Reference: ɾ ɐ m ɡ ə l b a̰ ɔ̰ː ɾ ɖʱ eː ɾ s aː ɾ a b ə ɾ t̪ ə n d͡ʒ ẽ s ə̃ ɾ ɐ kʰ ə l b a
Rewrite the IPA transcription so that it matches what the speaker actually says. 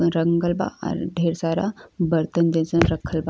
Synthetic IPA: ɾ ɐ ŋ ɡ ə l b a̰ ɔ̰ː ɾ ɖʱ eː ɾ s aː ɾ a b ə ɾ t̪ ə n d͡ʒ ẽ s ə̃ ɾ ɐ kʰ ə l b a